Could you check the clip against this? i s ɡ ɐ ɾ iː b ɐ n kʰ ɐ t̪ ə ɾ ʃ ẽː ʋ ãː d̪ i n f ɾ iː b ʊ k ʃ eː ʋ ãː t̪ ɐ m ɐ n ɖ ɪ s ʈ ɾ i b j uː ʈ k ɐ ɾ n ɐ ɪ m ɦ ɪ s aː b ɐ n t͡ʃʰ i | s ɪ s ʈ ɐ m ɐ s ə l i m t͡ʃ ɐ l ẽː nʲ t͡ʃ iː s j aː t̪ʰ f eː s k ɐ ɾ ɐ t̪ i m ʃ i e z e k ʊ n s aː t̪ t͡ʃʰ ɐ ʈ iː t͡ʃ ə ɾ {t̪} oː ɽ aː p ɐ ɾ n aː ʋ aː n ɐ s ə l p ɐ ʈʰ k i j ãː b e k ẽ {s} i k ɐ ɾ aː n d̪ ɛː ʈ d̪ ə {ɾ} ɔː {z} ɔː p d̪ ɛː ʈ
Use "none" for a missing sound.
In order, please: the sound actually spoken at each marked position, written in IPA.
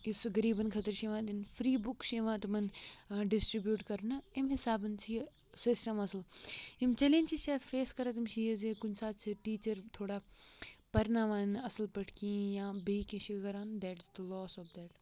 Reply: t̪ʰ, ʃ, l, s

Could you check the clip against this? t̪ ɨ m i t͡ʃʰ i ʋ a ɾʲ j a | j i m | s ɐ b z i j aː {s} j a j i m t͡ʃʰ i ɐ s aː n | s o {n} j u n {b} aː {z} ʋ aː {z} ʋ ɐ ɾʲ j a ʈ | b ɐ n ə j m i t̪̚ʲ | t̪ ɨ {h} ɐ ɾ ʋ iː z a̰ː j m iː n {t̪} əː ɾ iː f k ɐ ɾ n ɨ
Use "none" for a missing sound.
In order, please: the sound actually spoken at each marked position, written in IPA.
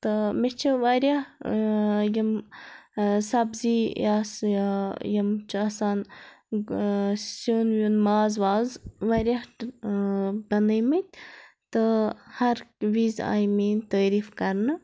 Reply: s, n, m, z, z, h, t̪

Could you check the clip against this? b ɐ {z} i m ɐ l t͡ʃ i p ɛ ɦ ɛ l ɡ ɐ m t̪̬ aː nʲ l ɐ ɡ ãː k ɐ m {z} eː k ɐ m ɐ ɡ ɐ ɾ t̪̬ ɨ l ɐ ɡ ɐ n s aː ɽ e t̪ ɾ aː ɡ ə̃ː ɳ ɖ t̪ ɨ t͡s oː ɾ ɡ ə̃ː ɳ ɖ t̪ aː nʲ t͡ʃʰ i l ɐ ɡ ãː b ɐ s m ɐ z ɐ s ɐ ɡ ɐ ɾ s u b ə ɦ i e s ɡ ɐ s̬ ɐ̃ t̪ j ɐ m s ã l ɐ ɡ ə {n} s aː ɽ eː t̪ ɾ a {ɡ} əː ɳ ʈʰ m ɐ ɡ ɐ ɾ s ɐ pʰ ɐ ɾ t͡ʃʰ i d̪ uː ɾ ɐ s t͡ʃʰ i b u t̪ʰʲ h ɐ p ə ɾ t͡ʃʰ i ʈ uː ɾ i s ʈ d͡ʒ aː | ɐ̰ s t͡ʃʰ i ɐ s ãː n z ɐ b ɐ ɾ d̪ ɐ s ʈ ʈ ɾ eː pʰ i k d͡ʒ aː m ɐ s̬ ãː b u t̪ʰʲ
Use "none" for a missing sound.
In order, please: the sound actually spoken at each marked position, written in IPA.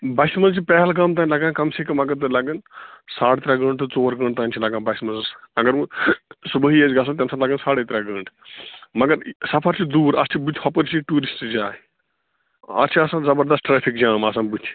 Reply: s, s, n, ɡ

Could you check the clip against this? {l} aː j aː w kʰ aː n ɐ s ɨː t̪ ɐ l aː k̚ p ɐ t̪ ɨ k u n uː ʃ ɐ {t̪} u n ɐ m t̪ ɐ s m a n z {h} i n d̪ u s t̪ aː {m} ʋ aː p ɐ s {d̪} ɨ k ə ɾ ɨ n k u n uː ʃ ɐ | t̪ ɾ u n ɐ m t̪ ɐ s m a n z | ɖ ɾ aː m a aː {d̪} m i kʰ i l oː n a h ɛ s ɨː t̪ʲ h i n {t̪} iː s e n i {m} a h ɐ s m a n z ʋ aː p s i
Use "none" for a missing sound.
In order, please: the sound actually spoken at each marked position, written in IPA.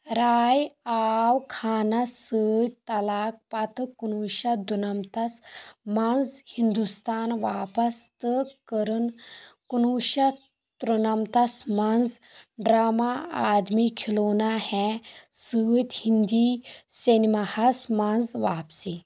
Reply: ɾ, d̪, h, n, t̪, d̪, d̪, m

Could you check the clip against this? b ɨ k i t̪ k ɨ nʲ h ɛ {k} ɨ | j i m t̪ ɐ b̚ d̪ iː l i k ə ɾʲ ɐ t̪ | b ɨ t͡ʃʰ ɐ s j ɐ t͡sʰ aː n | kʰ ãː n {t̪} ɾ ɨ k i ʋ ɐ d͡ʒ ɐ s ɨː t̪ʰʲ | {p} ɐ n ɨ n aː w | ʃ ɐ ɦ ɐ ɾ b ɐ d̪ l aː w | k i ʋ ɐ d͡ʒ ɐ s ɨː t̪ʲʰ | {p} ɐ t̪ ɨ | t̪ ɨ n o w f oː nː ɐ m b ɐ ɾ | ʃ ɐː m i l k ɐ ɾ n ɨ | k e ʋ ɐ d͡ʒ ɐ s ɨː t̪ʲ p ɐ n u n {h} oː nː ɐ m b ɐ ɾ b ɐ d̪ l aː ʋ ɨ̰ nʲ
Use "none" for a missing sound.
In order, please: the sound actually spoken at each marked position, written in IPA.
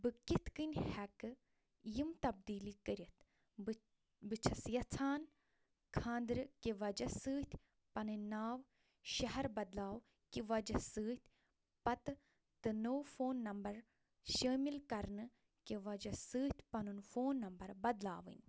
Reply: k, d̪, p, p, f

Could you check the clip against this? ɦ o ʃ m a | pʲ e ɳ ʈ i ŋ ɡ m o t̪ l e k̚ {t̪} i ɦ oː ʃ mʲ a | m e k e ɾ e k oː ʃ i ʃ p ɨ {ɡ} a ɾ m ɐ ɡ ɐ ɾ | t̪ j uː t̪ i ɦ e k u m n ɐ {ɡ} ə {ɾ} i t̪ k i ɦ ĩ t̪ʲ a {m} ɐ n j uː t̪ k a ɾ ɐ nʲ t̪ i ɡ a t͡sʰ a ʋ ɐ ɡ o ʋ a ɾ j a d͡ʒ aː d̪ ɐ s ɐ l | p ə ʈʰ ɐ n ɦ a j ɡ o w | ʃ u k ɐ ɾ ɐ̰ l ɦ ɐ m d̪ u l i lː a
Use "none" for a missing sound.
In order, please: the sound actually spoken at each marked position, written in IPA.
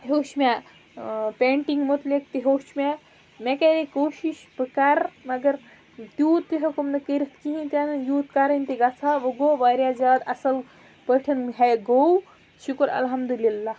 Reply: t̪, k, k, ɾ, n

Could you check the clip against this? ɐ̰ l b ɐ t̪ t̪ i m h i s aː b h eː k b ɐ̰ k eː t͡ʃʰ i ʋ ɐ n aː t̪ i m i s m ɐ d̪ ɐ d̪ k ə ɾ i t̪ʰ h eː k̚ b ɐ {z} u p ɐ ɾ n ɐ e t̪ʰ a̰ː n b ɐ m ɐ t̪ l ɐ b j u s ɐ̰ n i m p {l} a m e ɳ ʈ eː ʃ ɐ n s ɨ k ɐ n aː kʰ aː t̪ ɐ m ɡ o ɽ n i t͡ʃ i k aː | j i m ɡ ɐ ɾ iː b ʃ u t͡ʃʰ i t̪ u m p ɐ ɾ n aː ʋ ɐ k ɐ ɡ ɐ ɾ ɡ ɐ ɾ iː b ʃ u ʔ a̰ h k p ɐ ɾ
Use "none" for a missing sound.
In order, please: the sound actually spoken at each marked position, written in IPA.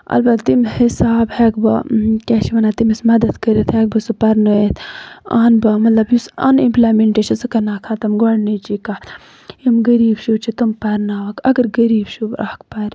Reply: s, l

